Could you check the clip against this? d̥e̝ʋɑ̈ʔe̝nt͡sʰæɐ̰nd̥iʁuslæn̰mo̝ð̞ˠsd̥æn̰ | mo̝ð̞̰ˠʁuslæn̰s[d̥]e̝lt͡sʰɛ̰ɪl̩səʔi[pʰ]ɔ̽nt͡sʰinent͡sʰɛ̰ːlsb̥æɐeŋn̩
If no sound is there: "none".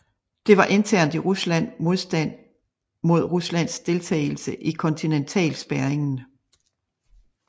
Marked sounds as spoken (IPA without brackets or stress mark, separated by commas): d̥, kʰ